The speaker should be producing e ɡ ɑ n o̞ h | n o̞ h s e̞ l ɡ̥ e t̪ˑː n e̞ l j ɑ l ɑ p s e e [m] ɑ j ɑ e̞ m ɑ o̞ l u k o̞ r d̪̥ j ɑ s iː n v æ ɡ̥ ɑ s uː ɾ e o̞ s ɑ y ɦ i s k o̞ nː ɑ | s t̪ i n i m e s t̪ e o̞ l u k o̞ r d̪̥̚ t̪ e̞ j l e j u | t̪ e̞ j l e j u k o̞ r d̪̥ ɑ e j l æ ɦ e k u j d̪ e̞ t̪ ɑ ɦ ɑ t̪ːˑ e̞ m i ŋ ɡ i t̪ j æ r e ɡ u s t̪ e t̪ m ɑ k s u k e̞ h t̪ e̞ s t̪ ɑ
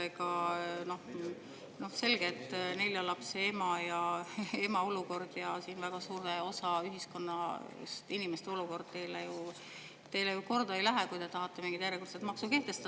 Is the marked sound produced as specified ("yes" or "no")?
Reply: yes